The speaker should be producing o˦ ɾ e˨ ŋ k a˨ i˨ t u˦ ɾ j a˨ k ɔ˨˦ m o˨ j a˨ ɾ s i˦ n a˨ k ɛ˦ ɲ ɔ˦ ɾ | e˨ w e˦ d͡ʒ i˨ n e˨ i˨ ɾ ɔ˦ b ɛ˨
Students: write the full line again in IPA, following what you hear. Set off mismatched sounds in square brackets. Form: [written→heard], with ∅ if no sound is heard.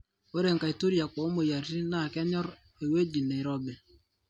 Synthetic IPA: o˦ ɾ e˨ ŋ k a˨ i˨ t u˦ ɾ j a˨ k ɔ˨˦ m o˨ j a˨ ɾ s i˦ n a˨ k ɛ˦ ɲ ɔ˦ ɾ | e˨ w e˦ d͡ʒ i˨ n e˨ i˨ ɾ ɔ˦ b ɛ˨